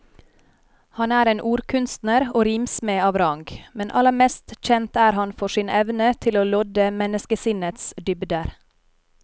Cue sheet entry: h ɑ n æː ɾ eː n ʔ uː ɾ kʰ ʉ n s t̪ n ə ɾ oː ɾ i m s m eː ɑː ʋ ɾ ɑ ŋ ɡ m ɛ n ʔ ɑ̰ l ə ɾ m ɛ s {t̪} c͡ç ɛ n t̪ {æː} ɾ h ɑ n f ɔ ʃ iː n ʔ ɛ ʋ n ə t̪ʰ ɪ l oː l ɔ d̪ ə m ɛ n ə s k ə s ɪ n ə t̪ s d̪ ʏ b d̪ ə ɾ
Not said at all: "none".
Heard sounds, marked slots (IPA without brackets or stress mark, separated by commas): t̪, æː